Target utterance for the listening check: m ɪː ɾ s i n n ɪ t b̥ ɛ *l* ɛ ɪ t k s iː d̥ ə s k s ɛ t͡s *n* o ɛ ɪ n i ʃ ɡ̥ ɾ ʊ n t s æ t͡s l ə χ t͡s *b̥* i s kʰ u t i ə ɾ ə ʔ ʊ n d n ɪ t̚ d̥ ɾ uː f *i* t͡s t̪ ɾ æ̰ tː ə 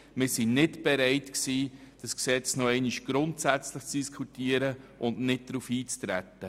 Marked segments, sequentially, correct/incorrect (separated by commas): incorrect, correct, incorrect, incorrect